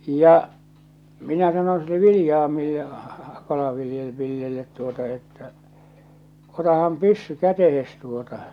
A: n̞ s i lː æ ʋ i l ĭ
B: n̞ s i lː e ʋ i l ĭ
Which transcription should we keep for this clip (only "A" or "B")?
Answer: B